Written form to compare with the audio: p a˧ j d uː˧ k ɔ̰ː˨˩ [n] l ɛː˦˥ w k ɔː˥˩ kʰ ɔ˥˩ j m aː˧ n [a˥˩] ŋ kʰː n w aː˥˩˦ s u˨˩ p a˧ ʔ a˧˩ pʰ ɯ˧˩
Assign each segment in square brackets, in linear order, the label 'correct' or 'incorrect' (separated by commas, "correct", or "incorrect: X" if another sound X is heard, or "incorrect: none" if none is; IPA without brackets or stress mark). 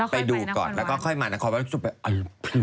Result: correct, incorrect: a˧